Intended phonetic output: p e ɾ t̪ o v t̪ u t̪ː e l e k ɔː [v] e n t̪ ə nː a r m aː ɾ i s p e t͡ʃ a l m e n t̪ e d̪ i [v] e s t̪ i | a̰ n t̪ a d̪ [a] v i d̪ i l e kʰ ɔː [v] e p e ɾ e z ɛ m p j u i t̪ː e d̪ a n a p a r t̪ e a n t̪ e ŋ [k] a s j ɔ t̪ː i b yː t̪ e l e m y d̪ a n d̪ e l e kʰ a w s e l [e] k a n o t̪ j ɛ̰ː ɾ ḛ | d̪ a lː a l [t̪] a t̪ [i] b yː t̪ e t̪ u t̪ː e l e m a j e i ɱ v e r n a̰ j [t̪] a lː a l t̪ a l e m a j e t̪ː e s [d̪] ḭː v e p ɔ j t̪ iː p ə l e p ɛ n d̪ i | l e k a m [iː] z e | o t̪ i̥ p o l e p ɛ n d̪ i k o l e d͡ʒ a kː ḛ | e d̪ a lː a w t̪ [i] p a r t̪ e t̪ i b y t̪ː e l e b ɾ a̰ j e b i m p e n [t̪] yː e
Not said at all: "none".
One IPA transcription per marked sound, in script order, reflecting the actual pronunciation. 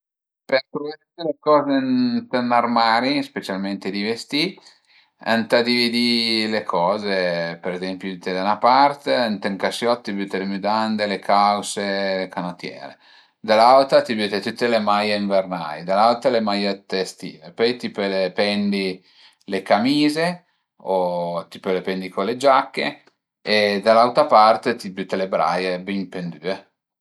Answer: z, v, i, z, k, e, t̪, i, d̪, t̪, iː, a, d̪

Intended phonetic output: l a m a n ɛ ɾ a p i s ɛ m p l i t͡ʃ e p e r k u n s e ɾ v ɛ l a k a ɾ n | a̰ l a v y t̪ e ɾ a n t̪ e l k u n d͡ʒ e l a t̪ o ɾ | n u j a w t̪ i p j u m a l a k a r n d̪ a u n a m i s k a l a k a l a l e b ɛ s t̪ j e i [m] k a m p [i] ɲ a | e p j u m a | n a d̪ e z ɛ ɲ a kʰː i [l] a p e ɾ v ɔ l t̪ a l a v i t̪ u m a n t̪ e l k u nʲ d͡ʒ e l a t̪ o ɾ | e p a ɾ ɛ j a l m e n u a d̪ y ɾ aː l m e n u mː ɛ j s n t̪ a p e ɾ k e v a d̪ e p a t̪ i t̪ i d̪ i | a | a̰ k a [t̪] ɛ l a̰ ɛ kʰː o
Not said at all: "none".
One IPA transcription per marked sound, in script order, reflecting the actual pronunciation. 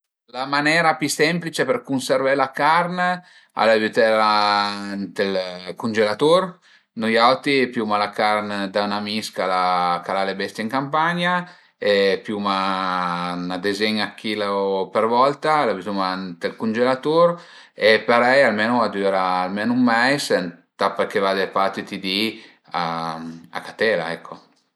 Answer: ŋ, a, l, t̪

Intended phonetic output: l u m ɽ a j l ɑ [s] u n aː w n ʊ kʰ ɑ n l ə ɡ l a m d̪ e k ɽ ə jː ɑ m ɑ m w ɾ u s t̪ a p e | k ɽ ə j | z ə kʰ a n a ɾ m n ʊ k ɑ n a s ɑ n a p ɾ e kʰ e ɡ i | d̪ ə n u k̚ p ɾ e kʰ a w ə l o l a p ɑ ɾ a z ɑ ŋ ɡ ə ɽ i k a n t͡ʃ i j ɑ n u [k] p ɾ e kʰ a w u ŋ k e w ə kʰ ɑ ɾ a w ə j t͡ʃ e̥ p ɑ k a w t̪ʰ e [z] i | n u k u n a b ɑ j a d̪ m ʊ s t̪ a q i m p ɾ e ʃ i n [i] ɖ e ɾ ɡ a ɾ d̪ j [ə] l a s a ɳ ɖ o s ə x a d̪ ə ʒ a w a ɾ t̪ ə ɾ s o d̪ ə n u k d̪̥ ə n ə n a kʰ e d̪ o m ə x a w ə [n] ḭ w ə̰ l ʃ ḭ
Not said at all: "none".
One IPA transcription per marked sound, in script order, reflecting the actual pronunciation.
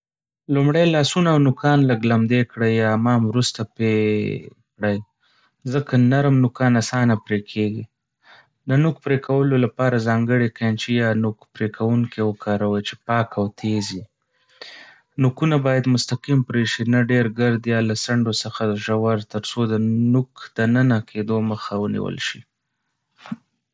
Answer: s, k, z, a, ɑ, n

